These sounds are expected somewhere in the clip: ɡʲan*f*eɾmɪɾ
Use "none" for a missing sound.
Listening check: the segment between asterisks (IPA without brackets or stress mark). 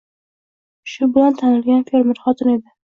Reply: f